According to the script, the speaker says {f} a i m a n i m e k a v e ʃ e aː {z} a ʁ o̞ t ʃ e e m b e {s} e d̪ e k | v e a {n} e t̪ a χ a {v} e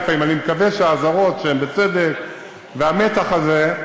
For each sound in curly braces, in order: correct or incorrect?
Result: correct, correct, incorrect: t͡s, incorrect: m, incorrect: z

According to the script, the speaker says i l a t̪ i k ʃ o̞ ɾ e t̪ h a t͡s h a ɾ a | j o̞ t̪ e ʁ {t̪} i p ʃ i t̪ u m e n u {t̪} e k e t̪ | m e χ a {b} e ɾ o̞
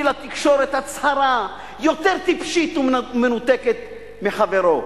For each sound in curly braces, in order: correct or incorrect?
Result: correct, correct, incorrect: v

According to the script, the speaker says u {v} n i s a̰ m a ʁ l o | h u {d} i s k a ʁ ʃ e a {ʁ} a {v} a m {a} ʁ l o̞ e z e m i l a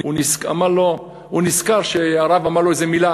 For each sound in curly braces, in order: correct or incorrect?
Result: incorrect: none, incorrect: n, correct, correct, correct

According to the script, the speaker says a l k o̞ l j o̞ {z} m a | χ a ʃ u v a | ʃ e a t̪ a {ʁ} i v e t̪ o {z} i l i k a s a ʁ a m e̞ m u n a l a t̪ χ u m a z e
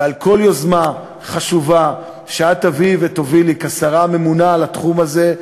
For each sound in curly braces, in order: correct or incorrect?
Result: correct, incorrect: v, incorrect: v

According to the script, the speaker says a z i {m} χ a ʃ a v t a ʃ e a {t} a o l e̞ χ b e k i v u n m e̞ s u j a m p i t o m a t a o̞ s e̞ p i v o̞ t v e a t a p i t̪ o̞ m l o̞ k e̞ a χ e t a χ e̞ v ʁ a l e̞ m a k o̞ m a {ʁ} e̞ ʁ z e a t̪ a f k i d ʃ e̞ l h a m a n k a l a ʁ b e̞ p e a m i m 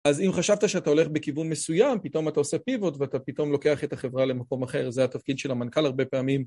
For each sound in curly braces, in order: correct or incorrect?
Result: correct, correct, incorrect: χ

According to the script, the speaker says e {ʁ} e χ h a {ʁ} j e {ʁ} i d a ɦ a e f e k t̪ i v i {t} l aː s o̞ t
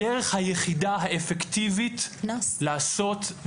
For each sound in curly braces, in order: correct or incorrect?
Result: correct, incorrect: none, incorrect: χ, correct

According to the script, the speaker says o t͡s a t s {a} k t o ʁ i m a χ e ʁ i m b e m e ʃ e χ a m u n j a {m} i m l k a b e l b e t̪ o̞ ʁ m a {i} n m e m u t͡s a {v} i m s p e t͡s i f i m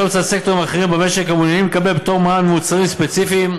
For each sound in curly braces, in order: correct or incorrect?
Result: incorrect: e, incorrect: n, incorrect: a, incorrect: ʁ

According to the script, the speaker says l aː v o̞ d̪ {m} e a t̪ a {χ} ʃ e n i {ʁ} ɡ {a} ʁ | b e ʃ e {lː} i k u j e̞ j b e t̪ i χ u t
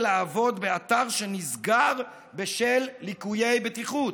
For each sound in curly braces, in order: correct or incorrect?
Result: incorrect: b, incorrect: ʁ, incorrect: z, correct, correct

